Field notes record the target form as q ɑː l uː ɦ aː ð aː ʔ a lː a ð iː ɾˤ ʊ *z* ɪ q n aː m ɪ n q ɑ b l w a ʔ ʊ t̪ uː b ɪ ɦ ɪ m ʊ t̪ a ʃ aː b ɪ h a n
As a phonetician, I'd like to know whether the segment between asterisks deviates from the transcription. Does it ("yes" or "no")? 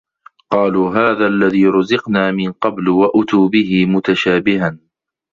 no